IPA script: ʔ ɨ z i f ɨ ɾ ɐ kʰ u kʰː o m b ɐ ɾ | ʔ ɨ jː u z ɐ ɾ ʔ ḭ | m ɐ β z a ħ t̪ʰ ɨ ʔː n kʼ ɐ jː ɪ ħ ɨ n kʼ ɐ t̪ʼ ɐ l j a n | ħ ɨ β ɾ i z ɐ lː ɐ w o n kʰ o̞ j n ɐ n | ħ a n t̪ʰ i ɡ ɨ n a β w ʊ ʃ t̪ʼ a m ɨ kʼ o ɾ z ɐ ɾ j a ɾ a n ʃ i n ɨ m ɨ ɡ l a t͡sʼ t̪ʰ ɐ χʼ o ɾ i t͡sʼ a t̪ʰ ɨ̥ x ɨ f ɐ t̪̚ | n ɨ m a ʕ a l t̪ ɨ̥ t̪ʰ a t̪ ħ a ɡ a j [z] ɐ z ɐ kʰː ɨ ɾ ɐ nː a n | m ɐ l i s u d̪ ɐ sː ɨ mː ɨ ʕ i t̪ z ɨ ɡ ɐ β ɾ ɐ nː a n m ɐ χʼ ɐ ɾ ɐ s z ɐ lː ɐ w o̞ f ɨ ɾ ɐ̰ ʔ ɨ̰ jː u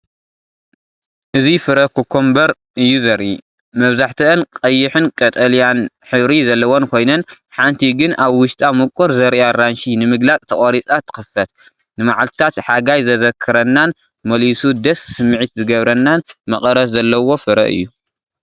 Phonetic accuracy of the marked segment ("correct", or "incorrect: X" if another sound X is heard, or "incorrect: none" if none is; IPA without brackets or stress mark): correct